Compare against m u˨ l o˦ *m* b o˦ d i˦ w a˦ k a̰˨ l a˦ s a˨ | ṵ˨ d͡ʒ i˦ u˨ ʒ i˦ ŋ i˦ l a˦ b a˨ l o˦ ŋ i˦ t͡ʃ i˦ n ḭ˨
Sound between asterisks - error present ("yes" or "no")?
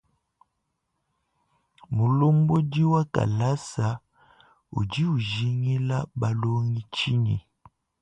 no